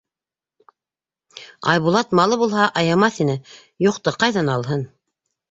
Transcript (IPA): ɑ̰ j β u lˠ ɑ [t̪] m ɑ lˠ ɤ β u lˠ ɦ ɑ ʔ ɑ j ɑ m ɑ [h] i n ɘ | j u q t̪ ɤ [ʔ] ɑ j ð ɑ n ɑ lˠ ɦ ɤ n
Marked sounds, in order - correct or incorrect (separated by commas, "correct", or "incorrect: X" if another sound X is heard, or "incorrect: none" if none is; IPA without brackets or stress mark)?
correct, incorrect: θ, incorrect: q